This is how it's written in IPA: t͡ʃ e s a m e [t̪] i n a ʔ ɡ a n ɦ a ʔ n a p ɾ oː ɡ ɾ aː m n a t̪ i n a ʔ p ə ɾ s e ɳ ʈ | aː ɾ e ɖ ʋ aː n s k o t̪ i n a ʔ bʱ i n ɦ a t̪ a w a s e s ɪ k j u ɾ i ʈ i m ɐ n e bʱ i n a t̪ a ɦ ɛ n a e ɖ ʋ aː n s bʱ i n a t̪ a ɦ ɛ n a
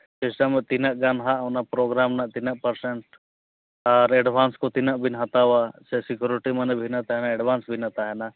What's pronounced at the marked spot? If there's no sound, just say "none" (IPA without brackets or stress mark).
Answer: t̪